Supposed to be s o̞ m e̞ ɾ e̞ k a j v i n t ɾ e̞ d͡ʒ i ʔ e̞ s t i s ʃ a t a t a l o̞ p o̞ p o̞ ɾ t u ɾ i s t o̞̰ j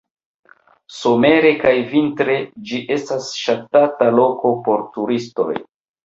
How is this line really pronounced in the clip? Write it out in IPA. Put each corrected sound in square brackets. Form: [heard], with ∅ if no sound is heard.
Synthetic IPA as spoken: s o̞ m e̞ ɾ e̞ k a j v i n t ɾ e̞ d͡ʒ i ʔ e̞ s t [a] s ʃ a t a t a l o̞ [k] o̞ p o̞ ɾ t u ɾ i s t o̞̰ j

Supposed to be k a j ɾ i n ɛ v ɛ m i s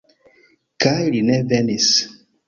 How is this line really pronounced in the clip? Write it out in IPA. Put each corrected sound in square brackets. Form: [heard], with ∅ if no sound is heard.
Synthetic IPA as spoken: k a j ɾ i n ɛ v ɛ [n] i s

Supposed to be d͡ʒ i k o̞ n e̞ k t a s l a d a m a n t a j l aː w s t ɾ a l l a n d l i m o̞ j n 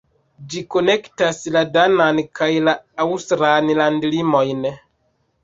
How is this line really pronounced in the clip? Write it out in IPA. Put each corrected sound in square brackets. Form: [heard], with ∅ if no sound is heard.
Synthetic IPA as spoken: d͡ʒ i k o̞ n e̞ k t a s l a d a [n] a n [k] a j l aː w s t ɾ a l l a n d l i m o̞ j n

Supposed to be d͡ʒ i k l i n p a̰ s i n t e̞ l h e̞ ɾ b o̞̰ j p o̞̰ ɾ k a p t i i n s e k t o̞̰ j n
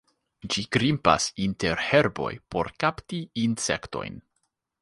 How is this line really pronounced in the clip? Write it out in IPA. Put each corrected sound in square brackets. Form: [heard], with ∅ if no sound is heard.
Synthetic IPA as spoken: d͡ʒ i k [ɾ] i [m] p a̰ s i n t e̞ [ɾ] h e̞ ɾ b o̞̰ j p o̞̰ ɾ k a p t i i n s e k t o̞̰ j n

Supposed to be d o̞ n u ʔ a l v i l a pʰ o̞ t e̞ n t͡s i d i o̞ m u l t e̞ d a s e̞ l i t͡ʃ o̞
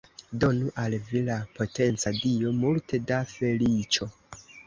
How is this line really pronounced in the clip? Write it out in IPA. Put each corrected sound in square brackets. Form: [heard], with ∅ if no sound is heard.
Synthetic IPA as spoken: d o̞ n u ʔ a l v i l a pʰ o̞ t e̞ n t͡s [a] d i o̞ m u l t e̞ d a [f] e̞ l i t͡ʃ o̞

